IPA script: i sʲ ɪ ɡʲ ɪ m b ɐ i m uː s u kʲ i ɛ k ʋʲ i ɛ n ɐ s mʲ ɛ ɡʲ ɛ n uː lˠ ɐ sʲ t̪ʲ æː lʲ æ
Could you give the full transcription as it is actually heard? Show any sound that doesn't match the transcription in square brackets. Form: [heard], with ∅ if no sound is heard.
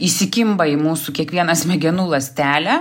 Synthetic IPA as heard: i sʲ ɪ [kʲ] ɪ m b ɐ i m uː s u kʲ i ɛ k ʋʲ i ɛ n ɐ s mʲ ɛ ɡʲ ɛ n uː lˠ ɐ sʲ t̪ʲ æː lʲ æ